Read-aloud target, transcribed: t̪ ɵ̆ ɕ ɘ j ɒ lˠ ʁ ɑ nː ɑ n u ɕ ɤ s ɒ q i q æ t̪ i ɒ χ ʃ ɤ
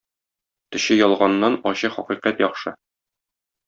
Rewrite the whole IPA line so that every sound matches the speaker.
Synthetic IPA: t̪ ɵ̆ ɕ ɘ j ɒ lˠ ʁ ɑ nː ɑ n ɒ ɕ ɤ χ ɒ q i q æ t̪ j ɒ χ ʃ ɤ

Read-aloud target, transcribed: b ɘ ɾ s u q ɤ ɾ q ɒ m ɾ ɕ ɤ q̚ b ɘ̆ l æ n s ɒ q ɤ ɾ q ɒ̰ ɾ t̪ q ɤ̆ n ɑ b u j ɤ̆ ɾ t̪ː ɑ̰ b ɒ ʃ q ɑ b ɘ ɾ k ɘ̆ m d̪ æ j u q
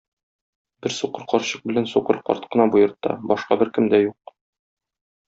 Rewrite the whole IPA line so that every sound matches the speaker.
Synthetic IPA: b ɘ ɾ s u q ɤ ɾ q ɒ ɾ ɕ ɤ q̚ b ɘ̆ l æ n s u q ɤ ɾ q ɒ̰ ɾ t̪ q ɤ̆ n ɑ b u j ɤ̆ ɾ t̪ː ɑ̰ b ɒ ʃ q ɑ b ɘ ɾ k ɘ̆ m d̪ æ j u q

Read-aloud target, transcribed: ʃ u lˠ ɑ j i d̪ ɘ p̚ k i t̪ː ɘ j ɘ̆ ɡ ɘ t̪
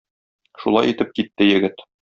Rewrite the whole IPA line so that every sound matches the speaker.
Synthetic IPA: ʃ u lˠ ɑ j i t̪ ɘ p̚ k i t̪ː ɘ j ɘ̆ ɡ ɘ t̪

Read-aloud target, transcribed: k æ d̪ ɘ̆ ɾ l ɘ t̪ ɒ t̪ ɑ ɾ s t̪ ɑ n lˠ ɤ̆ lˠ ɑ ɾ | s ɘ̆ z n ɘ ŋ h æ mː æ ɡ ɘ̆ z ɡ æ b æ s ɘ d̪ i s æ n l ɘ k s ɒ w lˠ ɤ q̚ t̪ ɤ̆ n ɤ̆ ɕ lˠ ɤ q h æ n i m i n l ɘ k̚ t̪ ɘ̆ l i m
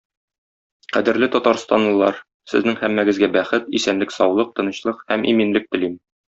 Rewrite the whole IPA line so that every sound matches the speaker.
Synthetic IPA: q æ d̪ ɘ̆ ɾ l ɘ t̪ ɒ t̪ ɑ ɾ s t̪ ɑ n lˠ ɤ̆ lˠ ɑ ɾ | s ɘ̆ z n ɘ ŋ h æ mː æ ɡ ɘ̆ z ɡ æ b æ χ ɘ t̪ i s æ n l ɘ k s ɒ w lˠ ɤ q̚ t̪ ɤ̆ n ɤ̆ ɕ lˠ ɤ q h æ m i m i n l ɘ k̚ t̪ ɘ̆ l i m

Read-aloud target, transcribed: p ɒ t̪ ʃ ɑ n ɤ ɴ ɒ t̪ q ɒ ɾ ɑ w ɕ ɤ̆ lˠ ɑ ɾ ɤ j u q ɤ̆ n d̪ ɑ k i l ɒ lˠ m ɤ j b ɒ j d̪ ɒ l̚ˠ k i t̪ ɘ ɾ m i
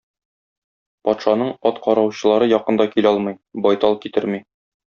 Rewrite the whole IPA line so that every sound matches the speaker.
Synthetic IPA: p ɒ t̪ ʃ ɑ n ɤ ɴ ɒ t̪ q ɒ ɾ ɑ w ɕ ɤ̆ lˠ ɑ ɾ ɤ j ɒ q ɤ̆ n d̪ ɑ k i l ɒ lˠ m ɤ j b ɒ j t̪ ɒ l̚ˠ k i t̪ ɘ ɾ m i

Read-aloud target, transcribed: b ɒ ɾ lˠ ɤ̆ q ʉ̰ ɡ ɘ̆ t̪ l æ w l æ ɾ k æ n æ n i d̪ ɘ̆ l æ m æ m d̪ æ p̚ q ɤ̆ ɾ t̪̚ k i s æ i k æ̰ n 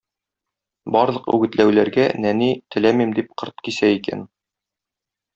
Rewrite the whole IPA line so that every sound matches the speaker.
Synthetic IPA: b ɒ ɾ lˠ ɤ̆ q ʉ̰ ɡ ɘ̆ t̪ l æ w l æ ɾ ɡ æ n æ n i t̪ ɘ̆ l æ m i m d̪ i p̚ q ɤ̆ ɾ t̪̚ k i s æ i k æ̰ n

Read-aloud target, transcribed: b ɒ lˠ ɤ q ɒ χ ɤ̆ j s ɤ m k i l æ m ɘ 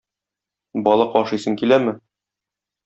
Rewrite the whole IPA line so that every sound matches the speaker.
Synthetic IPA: b ɒ lˠ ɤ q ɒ ʃ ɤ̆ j s ɤ ŋ k i l æ m ɘ

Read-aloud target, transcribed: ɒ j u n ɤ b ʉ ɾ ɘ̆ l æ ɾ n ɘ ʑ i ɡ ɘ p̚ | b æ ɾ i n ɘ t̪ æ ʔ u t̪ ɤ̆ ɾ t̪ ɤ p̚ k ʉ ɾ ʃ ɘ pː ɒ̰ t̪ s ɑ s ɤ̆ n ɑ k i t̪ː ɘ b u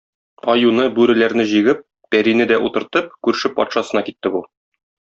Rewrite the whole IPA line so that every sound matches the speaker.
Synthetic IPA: ɒ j u n ɤ b ʉ ɾ ɘ̆ l æ ɾ n ɘ ʑ i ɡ ɘ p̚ | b æ ɾ i n ɘ d̪ æ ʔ u t̪ ɤ̆ ɾ t̪ ɤ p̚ k ʉ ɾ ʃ ɘ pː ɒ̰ t̪ ʃ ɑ s ɤ̆ n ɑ k i t̪ː ɘ b u

